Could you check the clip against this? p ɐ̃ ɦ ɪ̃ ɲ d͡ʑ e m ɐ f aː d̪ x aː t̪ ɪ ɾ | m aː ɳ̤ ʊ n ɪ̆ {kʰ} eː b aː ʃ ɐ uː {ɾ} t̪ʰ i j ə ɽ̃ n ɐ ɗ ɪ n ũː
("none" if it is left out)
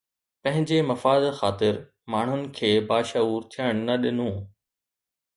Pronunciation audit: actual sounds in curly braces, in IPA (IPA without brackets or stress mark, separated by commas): kʰ, ɾ